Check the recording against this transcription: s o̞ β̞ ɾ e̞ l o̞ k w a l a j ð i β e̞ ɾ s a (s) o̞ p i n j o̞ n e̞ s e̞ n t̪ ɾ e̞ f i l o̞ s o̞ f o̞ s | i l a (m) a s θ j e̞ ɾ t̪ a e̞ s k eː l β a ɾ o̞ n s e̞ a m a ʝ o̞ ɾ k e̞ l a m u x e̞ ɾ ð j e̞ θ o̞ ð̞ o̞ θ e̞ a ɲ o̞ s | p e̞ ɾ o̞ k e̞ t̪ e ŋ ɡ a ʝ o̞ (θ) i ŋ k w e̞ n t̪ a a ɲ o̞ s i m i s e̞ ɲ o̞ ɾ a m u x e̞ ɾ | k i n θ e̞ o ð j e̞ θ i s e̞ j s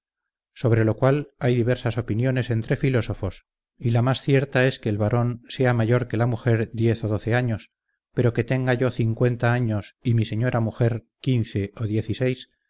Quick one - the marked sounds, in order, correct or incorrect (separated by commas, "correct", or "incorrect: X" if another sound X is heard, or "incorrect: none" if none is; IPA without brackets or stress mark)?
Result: correct, correct, correct